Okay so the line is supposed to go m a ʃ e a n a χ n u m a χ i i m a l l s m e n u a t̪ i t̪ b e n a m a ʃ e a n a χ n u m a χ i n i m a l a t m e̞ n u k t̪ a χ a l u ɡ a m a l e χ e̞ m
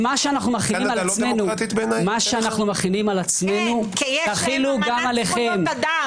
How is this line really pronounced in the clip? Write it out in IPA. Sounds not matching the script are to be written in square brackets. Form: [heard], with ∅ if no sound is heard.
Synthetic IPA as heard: m a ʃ e a n a χ n u m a χ i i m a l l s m e n u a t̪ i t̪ b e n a m a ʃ e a n a χ n u m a χ i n i m a l a [t͡s] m e̞ n u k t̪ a χ [i] l u ɡ a m a l e χ e̞ m